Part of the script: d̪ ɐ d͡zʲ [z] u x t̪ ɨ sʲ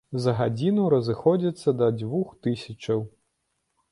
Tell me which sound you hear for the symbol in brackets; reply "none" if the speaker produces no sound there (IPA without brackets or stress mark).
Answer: v